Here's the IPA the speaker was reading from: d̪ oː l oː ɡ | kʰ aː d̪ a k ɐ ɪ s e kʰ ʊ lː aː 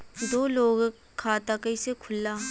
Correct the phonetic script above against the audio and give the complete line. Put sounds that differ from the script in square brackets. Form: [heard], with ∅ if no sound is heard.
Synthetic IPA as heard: d̪ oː l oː ɡ | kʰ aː [t̪] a k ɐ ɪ s e kʰ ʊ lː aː

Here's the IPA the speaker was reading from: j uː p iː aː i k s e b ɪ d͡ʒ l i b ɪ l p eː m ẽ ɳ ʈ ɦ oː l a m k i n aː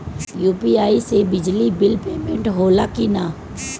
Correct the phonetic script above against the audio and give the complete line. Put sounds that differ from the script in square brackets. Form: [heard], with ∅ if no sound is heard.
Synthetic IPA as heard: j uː p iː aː i [∅] s e b ɪ d͡ʒ l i b ɪ l p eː m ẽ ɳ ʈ ɦ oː l a [∅] k i n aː

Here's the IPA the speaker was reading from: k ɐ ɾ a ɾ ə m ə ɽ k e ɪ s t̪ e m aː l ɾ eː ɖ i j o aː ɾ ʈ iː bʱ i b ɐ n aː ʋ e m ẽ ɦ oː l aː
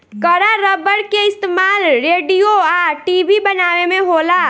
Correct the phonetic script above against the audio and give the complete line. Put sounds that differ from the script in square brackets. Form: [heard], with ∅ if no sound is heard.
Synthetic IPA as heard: k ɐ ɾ a ɾ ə [b] ə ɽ k e ɪ s t̪ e m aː l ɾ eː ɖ i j o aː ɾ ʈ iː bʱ i b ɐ n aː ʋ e m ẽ ɦ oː l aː

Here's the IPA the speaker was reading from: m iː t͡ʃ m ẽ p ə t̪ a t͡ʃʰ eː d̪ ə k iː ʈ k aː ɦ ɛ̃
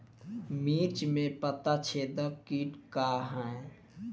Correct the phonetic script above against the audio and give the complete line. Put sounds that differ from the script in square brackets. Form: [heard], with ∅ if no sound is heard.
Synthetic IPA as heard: m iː t͡ʃ m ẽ p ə t̪ a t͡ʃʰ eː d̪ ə k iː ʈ k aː ɦ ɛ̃

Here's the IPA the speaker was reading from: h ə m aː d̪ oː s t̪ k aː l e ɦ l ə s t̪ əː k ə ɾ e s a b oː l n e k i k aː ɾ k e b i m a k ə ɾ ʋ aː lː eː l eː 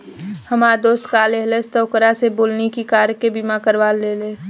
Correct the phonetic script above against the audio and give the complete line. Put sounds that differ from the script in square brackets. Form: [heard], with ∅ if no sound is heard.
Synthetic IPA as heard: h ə m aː d̪ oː s t̪ k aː l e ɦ l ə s t̪ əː k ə ɾ [a] s [e] b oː l n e k i k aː ɾ k e b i m a k ə ɾ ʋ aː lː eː l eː

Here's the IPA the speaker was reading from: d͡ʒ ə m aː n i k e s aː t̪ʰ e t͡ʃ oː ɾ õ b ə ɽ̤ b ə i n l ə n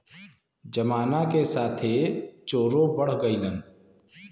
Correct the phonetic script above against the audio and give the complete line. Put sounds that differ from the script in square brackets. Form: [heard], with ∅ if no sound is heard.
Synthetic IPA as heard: d͡ʒ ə m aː n [a] k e s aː t̪ʰ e t͡ʃ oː ɾ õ b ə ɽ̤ [ɡ] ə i [∅] l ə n

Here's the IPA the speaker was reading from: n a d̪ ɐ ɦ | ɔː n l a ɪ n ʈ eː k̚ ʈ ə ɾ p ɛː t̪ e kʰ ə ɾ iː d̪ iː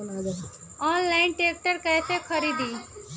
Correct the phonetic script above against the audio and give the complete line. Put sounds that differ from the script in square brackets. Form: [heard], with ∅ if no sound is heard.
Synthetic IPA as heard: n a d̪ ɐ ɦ | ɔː n l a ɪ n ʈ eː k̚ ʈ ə ɾ [k] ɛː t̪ e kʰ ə ɾ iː d̪ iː

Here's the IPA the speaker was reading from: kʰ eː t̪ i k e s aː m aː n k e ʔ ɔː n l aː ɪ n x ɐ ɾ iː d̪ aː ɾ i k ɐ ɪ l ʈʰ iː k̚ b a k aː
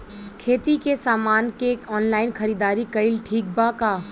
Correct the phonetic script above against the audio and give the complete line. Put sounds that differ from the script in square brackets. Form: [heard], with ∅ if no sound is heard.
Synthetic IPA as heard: kʰ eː t̪ i k e s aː m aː n k e [k] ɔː n l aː ɪ n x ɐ ɾ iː d̪ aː ɾ i k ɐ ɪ l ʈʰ iː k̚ b a k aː

